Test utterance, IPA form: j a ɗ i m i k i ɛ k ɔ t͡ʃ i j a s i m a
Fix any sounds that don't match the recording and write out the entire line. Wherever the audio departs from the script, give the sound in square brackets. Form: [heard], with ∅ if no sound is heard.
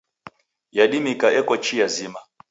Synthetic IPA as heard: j a ɗ i m i k [a] ɛ k ɔ t͡ʃ i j a [z] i m a